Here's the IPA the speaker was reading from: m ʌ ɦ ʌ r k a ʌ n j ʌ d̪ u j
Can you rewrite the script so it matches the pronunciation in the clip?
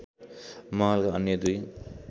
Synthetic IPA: m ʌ ɦ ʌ l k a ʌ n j ʌ d̪ u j